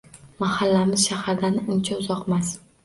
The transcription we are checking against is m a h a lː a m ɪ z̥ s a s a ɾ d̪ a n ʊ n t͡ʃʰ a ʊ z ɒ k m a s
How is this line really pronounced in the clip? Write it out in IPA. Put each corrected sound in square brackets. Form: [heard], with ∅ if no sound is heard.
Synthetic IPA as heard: m a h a lː a m ɪ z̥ [ʃ] a [h] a ɾ d̪ a n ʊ n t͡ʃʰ a ʊ z ɒ [q] m a s